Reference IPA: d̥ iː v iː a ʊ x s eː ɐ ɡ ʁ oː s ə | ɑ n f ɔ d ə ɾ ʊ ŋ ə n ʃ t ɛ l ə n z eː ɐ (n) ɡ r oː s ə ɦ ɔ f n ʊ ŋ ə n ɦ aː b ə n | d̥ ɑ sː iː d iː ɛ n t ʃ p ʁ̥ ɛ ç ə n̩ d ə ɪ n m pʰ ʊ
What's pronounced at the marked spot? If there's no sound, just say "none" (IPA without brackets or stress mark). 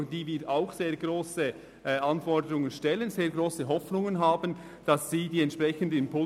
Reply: none